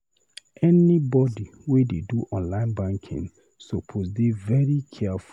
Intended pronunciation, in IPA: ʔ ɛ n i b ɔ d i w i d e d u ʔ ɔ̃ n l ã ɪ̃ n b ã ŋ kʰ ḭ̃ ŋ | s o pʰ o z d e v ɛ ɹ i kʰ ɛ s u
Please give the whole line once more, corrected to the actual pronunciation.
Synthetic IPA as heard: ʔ ɛ n i b ɔ d i w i d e d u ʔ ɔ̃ n l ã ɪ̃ n b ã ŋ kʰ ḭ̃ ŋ | s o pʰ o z d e v ɛ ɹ i kʰ ɛ f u